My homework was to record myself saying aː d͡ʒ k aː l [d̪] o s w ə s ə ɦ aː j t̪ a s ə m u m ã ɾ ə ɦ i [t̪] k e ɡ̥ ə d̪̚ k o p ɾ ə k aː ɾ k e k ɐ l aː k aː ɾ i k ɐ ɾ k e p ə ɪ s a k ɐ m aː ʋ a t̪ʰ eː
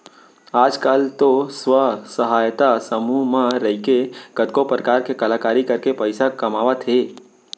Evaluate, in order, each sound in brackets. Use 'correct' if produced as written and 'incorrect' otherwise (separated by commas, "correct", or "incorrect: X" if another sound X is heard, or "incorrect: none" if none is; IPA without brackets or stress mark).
incorrect: t̪, incorrect: none